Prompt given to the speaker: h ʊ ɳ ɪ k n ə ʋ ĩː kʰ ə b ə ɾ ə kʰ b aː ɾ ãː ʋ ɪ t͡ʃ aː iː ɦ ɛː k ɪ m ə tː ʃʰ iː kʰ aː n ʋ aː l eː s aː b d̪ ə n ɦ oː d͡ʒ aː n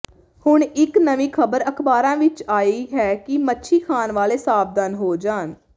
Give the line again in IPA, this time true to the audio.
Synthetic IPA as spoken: h ʊ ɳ ɪ k n ə ʋ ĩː kʰ ə b ə ɾ ə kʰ b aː ɾ ãː ʋ ɪ t͡ʃ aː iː ɦ ɛː k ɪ m ə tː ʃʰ iː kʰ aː n ʋ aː l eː s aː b d̪ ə n ɦ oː d͡ʒ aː n